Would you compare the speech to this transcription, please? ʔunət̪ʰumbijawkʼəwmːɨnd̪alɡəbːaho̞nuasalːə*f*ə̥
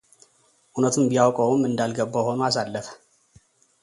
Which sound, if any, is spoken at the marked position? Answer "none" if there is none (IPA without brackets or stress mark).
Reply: f